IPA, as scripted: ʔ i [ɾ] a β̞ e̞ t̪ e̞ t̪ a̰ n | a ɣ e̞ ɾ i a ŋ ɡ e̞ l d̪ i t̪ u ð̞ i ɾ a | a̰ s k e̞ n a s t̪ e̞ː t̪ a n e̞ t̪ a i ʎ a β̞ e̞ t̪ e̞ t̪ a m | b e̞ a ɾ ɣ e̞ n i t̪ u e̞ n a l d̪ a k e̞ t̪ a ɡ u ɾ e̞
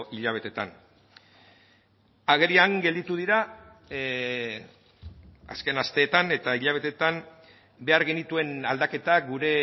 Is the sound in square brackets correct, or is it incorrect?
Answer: incorrect